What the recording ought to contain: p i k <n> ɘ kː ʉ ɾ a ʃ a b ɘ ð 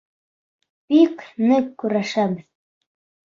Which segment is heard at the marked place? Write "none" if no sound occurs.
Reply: n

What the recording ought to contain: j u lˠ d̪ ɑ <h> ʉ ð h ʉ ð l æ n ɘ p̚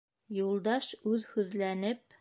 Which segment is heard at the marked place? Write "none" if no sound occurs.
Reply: ʃ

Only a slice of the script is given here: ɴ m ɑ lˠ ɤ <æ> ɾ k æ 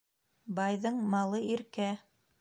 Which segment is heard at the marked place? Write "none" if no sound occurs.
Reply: i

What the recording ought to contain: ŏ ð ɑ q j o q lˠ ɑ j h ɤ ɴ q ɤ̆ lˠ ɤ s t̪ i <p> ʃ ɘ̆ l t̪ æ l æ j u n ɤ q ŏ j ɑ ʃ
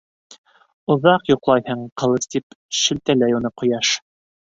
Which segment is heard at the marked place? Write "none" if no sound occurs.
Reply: p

